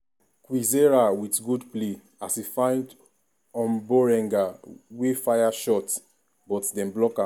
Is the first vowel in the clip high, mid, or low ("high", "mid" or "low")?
high